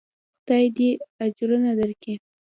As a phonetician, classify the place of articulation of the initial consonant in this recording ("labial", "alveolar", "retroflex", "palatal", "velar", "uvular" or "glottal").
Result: velar